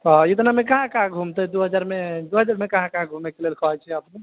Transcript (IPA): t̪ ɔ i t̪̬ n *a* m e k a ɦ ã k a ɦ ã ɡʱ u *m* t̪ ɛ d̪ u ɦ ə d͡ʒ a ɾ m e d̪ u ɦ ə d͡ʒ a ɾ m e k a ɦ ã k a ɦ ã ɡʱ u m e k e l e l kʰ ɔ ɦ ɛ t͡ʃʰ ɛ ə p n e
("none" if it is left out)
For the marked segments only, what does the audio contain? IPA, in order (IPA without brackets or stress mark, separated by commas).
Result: a, m